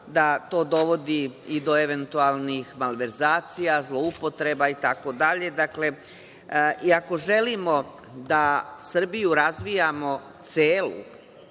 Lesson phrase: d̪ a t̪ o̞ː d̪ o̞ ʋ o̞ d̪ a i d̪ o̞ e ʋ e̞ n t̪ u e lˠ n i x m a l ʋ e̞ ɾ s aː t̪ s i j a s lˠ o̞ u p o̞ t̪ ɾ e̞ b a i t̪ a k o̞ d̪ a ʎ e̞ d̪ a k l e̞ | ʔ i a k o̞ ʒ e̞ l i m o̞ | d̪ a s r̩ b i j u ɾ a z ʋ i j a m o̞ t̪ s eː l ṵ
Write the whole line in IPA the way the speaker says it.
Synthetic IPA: d̪ a t̪ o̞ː d̪ o̞ ʋ o̞ d̪ i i d̪ o̞ e ʋ e̞ n t̪ u a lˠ n i x m a l ʋ e̞ ɾ z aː t̪ s i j a z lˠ o̞ u p o̞ t̪ ɾ e̞ b a i t̪ a k o̞ d̪ a ʎ e̞ d̪ a k l e̞ | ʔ i a k o̞ ʒ e̞ l i m o̞ | d̪ a s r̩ b i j u ɾ a z ʋ i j a m o̞ t̪ s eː l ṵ